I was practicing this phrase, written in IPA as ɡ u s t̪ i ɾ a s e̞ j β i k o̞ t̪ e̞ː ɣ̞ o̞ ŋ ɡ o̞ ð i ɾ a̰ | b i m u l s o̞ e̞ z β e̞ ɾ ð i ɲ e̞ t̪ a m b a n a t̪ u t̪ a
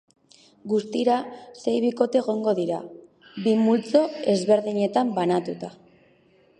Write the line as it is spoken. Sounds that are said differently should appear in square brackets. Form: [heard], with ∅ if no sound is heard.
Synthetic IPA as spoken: ɡ u s t̪ i ɾ a s e̞ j β i k o̞ t̪ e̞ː ɣ̞ o̞ ŋ ɡ o̞ ð i ɾ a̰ | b i m u l [t͡s] o̞ e̞ z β e̞ ɾ ð i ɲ e̞ t̪ a m b a n a t̪ u t̪ a